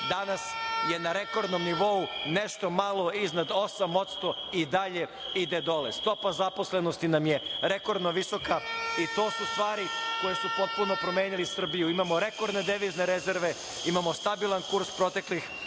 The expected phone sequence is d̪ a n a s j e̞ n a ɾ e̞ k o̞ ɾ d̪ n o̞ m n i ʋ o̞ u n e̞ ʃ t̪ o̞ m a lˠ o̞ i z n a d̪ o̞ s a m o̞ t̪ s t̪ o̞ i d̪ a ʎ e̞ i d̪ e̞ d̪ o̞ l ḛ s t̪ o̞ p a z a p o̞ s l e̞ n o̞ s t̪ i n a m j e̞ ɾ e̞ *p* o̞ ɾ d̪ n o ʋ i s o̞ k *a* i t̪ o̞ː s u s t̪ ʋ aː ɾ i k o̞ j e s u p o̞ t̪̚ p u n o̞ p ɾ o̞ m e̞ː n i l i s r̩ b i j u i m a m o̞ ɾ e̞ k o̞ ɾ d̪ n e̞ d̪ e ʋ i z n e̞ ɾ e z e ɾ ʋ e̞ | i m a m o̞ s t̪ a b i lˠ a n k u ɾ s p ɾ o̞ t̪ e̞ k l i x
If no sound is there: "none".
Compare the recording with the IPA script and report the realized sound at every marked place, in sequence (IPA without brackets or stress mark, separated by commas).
k, a